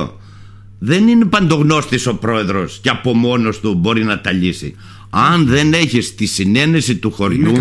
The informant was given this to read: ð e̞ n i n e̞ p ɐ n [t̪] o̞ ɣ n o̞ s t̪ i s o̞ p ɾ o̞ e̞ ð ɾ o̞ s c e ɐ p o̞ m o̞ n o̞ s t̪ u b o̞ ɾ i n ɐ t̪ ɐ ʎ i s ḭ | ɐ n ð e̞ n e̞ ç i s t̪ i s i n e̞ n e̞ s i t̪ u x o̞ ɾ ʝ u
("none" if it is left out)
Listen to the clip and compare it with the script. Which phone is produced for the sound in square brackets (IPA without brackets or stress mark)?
d̪